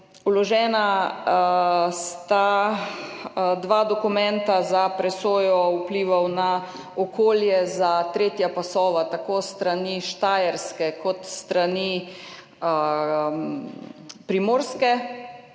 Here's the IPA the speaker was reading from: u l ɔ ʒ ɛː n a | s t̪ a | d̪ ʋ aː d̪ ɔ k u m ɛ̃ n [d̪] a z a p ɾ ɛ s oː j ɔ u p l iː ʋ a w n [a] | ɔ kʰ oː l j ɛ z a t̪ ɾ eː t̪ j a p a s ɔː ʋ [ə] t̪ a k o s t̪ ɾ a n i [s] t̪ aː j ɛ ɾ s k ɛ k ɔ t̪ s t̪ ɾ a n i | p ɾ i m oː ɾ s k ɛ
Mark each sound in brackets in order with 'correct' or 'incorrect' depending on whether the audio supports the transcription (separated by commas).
incorrect, correct, incorrect, incorrect